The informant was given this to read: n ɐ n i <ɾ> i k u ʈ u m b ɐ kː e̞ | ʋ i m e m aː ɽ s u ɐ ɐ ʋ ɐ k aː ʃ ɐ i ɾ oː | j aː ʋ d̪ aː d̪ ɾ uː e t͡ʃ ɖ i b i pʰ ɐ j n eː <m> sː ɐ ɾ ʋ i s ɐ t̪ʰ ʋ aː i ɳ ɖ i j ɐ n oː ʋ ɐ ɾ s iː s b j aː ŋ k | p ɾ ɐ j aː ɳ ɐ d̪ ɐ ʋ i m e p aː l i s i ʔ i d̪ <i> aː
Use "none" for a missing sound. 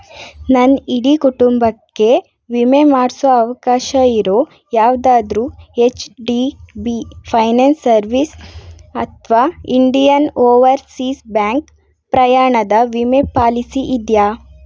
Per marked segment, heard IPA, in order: ɽ, n, j

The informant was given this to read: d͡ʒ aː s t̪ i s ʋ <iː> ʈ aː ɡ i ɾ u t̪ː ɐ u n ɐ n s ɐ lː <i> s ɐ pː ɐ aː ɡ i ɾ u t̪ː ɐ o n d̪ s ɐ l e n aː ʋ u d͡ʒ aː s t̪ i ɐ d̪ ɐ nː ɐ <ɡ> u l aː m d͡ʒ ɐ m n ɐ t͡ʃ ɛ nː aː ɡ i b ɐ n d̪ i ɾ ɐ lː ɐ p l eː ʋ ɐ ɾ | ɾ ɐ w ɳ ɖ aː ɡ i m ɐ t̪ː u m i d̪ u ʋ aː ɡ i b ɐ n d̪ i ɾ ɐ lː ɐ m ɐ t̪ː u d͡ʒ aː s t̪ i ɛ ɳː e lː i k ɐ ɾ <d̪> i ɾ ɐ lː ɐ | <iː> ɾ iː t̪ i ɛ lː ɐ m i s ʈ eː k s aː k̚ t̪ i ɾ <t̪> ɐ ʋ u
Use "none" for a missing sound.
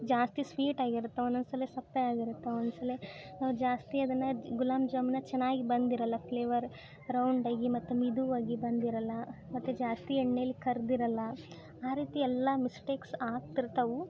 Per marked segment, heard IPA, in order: iː, e, ɡ, d̪, aː, t̪

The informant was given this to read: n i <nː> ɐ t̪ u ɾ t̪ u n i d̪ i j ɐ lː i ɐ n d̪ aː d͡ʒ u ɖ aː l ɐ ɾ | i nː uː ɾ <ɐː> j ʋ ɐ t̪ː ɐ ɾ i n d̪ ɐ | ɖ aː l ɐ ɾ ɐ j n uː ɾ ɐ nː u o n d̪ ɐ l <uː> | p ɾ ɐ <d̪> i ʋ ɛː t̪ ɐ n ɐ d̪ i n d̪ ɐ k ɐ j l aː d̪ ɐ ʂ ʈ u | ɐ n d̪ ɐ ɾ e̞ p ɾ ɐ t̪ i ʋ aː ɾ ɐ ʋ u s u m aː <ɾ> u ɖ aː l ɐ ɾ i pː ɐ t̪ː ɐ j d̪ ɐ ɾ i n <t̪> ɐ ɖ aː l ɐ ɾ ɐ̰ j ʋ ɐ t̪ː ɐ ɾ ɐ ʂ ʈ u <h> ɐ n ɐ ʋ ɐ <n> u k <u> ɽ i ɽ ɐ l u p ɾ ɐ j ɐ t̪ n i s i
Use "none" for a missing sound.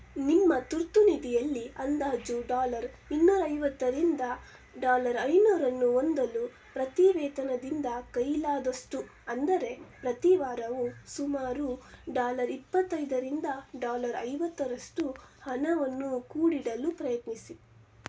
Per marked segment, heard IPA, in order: mː, ɐ, u, t̪, ɾ, d̪, h, nː, uː

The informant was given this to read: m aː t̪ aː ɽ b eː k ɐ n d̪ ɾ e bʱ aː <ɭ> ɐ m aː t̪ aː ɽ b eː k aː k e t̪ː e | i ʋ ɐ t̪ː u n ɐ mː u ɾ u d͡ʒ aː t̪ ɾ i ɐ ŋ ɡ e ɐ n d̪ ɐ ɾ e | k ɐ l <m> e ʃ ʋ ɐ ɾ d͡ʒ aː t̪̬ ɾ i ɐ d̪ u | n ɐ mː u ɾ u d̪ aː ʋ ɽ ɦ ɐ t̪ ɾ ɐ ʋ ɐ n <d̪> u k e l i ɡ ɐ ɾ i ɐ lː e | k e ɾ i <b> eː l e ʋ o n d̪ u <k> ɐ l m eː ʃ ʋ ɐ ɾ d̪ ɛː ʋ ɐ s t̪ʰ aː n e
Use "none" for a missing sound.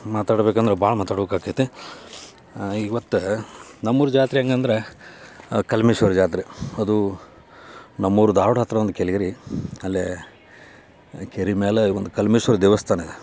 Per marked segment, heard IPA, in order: ɭ, m, d̪, m, k

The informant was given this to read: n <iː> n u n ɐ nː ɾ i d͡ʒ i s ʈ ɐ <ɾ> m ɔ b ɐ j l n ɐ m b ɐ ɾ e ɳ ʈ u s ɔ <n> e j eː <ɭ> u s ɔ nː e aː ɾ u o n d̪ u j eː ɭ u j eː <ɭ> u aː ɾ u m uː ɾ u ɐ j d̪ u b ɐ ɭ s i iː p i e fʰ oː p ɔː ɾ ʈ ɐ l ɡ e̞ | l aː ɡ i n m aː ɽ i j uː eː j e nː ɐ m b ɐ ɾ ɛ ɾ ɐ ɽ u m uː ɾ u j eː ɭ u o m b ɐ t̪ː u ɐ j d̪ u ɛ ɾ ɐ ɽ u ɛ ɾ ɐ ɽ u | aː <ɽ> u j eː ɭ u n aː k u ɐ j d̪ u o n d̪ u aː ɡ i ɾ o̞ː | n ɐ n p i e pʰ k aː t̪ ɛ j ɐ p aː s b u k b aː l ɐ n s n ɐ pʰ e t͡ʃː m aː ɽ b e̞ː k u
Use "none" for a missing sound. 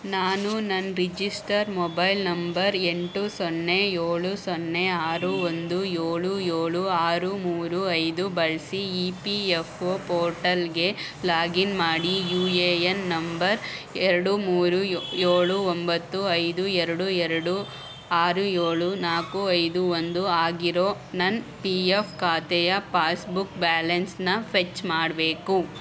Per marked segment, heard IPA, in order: aː, ɾ, nː, ɭ, ɭ, ɾ

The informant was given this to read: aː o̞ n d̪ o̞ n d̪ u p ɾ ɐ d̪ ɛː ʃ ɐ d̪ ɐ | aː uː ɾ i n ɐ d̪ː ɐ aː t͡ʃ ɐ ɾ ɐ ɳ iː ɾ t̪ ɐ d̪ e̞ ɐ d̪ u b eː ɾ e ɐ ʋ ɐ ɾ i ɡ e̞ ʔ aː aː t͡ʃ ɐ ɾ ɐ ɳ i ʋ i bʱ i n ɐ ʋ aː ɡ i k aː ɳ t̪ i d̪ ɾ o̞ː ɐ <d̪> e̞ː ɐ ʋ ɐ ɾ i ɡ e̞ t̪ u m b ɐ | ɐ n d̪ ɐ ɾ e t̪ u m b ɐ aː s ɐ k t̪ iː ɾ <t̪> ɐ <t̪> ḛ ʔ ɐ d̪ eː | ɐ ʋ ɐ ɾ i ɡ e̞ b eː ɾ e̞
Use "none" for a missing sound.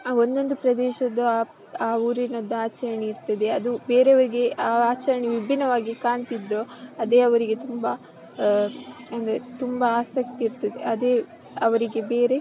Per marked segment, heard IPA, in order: d̪, t̪, d̪

